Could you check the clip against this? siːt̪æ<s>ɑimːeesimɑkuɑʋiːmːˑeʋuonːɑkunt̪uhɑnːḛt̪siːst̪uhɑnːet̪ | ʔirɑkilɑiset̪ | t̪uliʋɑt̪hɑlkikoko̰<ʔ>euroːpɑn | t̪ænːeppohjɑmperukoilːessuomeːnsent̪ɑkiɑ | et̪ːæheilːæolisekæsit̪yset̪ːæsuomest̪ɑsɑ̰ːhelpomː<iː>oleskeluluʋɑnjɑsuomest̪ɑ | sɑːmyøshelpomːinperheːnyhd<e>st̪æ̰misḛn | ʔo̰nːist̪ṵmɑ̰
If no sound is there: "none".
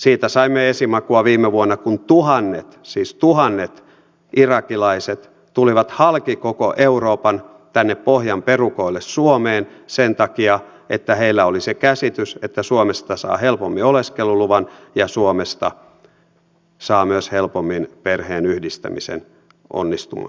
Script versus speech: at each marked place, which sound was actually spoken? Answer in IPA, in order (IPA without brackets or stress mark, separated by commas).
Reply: s, ʔ, i, i